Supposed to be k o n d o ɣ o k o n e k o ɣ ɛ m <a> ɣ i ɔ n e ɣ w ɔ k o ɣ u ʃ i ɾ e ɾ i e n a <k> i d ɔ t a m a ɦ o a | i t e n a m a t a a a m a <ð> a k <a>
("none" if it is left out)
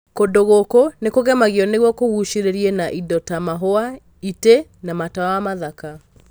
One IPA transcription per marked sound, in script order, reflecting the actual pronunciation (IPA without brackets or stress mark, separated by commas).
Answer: a, ʔ, ð, a